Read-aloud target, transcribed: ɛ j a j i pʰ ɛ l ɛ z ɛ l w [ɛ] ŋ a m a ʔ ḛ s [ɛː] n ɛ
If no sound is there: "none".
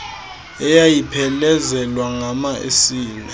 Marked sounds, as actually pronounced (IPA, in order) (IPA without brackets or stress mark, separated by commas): a, iː